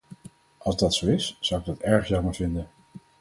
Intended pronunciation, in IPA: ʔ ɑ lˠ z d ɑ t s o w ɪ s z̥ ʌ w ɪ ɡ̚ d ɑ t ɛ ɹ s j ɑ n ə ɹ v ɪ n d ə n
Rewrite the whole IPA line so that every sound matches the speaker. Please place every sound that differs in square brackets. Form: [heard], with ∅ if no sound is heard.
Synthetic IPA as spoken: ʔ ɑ lˠ z d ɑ t s o w ɪ s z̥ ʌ w ɪ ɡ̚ d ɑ t ɛ ɹ [χ] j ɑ [m] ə ɹ v ɪ n d ə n